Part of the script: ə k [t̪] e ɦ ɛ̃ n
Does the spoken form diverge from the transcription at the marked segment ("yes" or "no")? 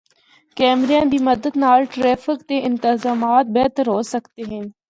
no